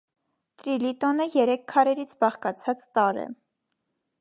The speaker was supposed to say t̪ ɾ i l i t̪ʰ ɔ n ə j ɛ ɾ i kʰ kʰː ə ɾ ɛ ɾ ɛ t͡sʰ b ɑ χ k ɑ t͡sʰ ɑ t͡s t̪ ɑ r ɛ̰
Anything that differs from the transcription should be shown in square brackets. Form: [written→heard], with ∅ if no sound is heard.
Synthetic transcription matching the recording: t̪ ɾ i l i [t̪ʰ→t̪] ɔ n ə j ɛ ɾ [i→ɛ] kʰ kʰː [ə→ɑ] ɾ ɛ ɾ [ɛ→i] t͡sʰ b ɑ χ k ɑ t͡sʰ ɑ t͡s t̪ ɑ [r→ɾ] ɛ̰